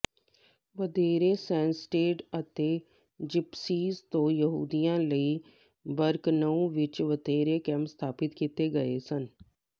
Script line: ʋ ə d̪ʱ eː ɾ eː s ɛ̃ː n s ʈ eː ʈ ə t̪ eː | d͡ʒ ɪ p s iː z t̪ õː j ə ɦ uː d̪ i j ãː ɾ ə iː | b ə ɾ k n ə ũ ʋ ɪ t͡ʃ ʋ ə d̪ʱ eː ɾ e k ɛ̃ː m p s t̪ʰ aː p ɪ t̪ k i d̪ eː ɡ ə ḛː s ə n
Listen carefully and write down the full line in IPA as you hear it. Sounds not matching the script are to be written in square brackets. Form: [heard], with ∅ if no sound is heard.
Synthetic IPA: ʋ ə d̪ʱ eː ɾ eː s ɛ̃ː n s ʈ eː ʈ ə t̪ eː | d͡ʒ ɪ p s iː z t̪ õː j ə ɦ uː d̪ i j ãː [l] ə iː | b ə ɾ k n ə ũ ʋ ɪ t͡ʃ ʋ ə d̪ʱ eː ɾ e k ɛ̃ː m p s t̪ʰ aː p ɪ t̪ k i [t̪] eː ɡ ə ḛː s ə n